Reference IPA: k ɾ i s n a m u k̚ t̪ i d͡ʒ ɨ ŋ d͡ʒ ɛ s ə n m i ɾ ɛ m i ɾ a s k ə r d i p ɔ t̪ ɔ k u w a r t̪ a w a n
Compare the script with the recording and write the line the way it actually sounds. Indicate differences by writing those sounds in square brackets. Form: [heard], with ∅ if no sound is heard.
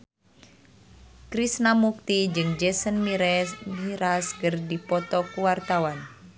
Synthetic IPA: k ɾ i s n a m u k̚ t̪ i d͡ʒ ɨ ŋ d͡ʒ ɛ s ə n m i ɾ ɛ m i ɾ a s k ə r d i p ɔ t̪ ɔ k u w a r t̪ a w a n